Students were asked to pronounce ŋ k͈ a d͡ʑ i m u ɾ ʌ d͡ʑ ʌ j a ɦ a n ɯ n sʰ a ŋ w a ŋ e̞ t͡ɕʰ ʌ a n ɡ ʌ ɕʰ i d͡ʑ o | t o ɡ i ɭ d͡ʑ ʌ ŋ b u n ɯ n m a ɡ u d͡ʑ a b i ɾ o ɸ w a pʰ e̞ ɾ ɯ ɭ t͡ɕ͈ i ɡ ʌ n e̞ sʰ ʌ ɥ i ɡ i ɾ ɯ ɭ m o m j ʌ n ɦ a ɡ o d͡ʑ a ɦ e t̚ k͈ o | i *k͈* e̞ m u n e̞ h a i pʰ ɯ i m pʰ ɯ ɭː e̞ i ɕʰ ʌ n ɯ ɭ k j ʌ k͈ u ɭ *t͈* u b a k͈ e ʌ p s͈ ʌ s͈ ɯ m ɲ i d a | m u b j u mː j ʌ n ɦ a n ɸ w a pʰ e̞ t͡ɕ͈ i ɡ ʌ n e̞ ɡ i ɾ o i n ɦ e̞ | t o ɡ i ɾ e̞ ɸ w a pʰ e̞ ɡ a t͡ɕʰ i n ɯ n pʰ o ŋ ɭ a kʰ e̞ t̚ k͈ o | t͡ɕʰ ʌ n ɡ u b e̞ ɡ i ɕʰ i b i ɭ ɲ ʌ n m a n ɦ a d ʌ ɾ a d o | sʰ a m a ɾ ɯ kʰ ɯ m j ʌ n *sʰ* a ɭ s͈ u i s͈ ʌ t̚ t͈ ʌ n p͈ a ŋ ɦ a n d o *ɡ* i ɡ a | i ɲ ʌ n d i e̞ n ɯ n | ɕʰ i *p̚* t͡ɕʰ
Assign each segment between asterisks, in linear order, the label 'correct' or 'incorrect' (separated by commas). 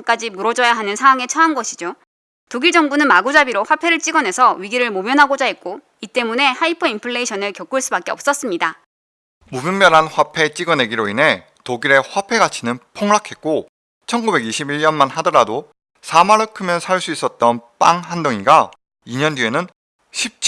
incorrect, incorrect, correct, incorrect, correct